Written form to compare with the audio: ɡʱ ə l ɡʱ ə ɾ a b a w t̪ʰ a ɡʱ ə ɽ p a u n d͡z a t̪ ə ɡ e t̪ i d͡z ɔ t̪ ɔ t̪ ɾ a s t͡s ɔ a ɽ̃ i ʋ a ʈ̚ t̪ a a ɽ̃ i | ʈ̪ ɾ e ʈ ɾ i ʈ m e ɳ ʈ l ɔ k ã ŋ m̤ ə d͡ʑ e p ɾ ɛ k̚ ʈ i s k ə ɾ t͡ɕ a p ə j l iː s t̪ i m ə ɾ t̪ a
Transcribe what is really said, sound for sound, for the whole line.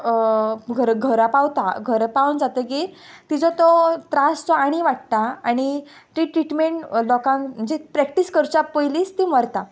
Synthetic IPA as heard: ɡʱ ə ɾ ɡʱ ə ɾ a p a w t̪ a ɡʱ ə ɾ p a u n d͡z a t̪ ə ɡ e t̪ i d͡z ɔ t̪ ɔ t̪ ɾ a s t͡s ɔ a ɽ̃ i ʋ a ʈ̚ t̪ a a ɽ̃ i | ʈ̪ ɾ i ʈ ɾ i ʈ m e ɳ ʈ l ɔ k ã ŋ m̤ ə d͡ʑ e p ɾ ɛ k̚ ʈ i s k ə ɾ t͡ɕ a p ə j l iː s t̪ i m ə ɾ t̪ a